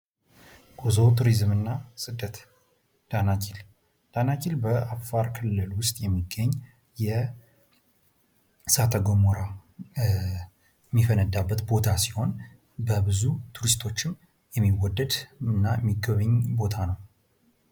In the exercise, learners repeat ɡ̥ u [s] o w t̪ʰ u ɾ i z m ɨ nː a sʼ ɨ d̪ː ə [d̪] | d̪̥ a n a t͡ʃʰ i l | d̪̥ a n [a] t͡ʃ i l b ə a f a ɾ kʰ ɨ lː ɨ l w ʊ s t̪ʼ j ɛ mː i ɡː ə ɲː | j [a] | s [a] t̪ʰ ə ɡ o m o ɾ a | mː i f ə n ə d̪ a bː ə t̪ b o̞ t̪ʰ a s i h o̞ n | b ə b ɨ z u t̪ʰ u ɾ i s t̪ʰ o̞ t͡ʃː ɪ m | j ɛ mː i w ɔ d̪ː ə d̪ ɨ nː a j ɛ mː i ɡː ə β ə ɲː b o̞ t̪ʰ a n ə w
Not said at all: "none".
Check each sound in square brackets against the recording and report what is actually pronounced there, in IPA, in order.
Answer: z, t̪, a, ɛ, a

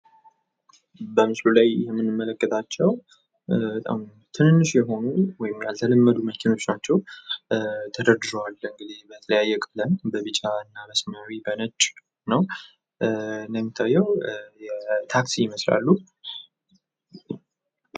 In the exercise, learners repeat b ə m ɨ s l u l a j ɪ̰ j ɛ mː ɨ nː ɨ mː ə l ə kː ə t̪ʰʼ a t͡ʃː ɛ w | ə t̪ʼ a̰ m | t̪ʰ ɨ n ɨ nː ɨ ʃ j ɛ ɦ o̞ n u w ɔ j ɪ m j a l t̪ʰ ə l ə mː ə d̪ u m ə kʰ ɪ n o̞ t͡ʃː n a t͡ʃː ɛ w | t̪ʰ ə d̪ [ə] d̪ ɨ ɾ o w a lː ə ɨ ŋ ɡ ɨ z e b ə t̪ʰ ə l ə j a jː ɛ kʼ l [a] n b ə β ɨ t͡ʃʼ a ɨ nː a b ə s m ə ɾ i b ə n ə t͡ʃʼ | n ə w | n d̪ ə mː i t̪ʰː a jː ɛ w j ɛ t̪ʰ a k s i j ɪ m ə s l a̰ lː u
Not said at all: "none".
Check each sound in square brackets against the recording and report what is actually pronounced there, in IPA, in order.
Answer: ə, ə

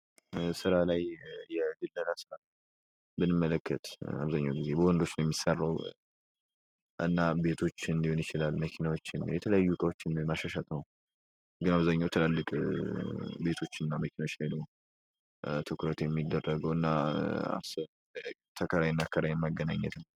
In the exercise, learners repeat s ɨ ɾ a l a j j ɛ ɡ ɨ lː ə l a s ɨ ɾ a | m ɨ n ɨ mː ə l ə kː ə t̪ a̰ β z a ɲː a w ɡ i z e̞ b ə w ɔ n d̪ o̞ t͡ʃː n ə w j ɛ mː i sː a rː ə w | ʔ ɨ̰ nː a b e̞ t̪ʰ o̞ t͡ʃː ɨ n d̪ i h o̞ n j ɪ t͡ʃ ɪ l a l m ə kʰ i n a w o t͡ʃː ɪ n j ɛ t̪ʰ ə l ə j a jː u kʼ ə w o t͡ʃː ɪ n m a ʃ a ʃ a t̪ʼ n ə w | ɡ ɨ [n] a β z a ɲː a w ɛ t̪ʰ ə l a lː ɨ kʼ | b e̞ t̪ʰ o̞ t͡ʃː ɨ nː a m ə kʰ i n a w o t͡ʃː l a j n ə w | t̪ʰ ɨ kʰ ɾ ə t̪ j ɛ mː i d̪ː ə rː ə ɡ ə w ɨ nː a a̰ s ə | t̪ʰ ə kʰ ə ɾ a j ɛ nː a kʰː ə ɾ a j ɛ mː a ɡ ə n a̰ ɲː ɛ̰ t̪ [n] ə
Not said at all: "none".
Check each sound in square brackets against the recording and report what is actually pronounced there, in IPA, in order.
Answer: n, n

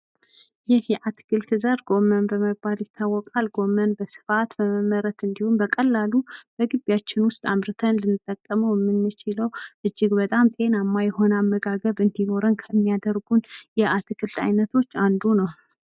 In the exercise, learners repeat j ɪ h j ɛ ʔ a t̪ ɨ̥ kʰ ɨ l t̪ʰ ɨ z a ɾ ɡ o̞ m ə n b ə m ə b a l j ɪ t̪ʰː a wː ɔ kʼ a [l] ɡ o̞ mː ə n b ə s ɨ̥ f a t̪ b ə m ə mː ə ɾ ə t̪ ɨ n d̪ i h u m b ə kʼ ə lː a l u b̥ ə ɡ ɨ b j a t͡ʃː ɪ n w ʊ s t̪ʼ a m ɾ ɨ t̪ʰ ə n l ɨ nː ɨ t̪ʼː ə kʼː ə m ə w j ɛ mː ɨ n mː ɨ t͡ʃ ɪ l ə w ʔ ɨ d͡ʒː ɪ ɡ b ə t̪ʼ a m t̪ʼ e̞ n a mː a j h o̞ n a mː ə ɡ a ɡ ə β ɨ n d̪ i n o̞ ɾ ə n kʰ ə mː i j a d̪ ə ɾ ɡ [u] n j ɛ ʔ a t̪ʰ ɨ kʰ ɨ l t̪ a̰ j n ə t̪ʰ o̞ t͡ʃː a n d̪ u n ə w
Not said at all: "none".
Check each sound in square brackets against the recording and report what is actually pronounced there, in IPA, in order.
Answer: l, u

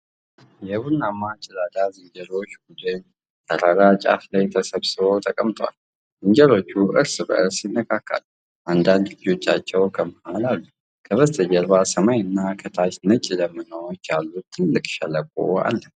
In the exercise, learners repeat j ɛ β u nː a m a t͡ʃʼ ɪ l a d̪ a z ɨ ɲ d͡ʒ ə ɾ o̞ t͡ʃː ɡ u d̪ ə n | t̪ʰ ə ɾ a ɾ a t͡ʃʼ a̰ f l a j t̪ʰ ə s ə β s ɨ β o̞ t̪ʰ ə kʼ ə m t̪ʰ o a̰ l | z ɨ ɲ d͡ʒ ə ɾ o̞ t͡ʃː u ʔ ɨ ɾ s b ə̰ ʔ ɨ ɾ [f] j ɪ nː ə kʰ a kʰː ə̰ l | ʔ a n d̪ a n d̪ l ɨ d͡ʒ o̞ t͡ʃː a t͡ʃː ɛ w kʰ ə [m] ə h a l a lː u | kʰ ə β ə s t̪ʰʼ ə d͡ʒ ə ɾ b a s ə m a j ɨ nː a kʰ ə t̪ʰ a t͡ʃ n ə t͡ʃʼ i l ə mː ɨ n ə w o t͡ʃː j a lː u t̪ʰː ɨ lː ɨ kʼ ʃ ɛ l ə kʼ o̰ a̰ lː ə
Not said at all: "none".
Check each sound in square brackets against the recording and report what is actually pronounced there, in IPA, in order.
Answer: s, m

